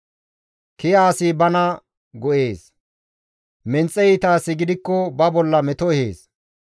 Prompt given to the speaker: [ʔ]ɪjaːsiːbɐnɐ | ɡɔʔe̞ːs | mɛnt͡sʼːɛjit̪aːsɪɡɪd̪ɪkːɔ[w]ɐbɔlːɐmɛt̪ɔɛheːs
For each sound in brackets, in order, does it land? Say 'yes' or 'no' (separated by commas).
no, no